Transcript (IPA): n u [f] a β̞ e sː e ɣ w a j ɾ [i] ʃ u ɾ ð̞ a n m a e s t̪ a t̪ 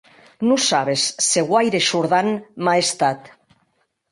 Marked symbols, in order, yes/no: no, no

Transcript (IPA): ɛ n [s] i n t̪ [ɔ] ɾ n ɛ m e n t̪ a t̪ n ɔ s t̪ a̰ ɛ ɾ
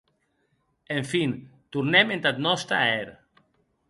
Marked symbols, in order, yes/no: no, no

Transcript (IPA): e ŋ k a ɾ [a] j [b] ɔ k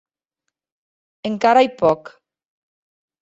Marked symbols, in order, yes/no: yes, no

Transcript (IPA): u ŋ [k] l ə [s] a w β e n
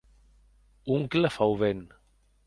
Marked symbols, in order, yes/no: yes, no

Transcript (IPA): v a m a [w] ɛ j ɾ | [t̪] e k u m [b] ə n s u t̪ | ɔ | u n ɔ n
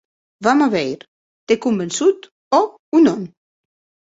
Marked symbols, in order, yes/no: no, yes, yes

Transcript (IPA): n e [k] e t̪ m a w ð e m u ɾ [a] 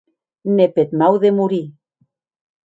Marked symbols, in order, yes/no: no, no

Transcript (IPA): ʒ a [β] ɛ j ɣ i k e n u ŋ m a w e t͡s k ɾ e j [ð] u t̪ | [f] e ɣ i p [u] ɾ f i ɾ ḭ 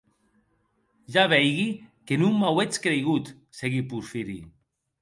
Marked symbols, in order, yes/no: yes, no, no, yes

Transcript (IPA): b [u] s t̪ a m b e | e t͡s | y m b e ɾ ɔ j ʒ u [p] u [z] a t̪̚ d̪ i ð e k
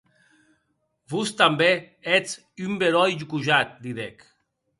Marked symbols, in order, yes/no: yes, no, no

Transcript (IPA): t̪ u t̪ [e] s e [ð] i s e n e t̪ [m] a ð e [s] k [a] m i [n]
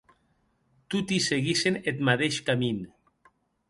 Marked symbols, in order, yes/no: no, no, yes, no, yes, yes

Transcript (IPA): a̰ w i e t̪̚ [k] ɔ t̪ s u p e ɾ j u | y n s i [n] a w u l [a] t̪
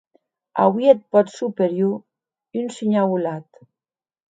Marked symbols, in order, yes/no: no, no, yes

